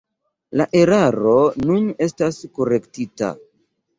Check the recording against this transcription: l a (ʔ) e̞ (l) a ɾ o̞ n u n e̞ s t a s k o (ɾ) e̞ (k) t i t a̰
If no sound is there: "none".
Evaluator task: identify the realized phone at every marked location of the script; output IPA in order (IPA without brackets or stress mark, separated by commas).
ʔ, ɾ, ɾ, k